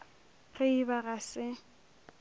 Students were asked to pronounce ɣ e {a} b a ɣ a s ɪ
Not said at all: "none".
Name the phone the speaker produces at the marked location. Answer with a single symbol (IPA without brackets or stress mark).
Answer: i